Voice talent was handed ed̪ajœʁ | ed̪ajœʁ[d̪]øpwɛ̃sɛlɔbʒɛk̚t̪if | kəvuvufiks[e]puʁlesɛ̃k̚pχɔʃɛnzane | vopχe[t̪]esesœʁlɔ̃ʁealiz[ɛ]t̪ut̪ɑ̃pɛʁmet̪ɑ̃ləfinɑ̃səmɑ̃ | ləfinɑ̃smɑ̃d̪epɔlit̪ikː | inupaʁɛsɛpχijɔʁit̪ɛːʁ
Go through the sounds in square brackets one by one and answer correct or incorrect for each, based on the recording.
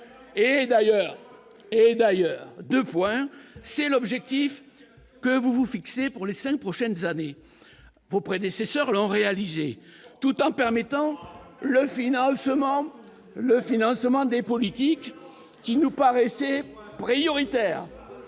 correct, correct, incorrect: d̪, incorrect: e

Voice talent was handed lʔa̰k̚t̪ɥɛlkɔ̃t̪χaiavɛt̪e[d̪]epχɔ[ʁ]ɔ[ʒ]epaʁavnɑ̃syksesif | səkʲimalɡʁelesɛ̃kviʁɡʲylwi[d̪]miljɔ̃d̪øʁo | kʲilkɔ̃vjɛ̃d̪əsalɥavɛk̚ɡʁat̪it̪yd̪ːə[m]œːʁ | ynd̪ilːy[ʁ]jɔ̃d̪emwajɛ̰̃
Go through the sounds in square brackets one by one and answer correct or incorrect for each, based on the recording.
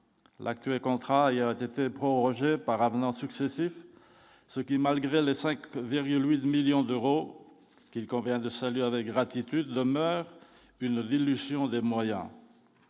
incorrect: t̪, correct, correct, incorrect: t̪, correct, incorrect: z

